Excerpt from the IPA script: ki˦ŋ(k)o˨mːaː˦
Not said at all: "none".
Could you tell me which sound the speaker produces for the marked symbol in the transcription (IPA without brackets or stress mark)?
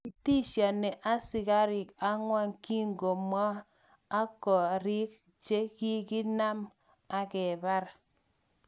ɡ